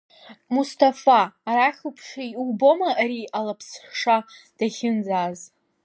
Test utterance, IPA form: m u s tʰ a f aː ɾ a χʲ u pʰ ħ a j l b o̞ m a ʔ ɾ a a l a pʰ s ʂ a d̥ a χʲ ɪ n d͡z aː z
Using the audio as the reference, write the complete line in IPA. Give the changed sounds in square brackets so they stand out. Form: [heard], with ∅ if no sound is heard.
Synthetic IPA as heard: m u s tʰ a f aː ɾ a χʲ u pʰ [ʂ] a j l b o̞ m a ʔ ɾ [i] a l a pʰ s ʂ a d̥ a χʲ ɪ n d͡z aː z